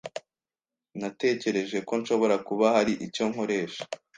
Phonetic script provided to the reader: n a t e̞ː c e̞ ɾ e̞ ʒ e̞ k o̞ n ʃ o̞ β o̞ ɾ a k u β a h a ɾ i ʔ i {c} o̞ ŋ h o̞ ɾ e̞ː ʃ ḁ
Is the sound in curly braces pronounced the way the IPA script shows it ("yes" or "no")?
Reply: yes